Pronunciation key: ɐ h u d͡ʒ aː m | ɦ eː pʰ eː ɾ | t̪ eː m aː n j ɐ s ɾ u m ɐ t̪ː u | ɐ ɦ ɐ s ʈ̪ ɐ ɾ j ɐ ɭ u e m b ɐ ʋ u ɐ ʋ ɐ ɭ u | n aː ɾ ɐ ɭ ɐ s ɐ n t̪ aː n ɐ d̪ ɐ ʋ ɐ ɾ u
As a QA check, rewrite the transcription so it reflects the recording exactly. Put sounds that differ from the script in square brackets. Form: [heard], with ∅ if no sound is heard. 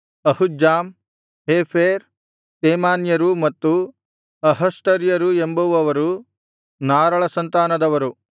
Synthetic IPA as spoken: ɐ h u d͡ʒ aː m | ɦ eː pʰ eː ɾ | t̪ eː m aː n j ɐ [∅] ɾ u m ɐ t̪ː u | ɐ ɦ ɐ s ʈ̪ ɐ ɾ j ɐ [ɾ] u e m b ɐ ʋ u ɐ ʋ ɐ [ɾ] u | n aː ɾ ɐ ɭ ɐ s ɐ n t̪ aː n ɐ d̪ ɐ ʋ ɐ ɾ u